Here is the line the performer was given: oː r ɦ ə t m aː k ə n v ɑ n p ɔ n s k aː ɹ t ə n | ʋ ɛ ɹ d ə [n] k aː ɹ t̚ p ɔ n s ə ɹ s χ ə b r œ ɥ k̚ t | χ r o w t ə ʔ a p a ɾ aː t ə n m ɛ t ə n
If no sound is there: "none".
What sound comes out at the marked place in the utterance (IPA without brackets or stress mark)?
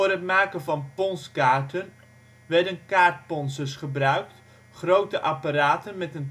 n